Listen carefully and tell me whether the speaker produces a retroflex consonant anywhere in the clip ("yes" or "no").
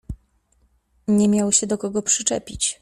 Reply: yes